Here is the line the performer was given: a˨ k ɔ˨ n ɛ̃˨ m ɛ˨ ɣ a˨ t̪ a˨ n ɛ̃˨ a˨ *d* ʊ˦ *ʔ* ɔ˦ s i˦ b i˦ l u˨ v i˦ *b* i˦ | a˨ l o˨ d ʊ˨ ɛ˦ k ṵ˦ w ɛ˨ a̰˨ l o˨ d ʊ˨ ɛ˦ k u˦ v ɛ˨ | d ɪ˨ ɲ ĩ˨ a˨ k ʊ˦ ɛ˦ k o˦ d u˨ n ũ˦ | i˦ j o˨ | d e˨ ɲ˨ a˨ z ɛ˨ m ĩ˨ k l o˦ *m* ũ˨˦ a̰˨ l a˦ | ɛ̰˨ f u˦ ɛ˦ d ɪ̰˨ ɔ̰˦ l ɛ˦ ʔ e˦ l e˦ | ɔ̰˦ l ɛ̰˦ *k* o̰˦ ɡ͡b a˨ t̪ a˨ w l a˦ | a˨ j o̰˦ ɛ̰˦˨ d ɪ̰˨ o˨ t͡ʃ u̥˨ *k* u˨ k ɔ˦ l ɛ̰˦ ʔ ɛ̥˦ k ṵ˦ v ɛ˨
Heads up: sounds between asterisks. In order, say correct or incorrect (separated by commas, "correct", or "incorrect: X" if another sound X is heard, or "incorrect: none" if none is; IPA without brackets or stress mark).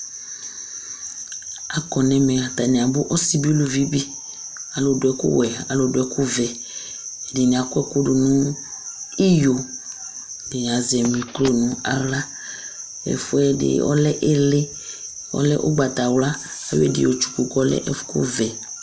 incorrect: b, correct, correct, incorrect: n, incorrect: ʔ, correct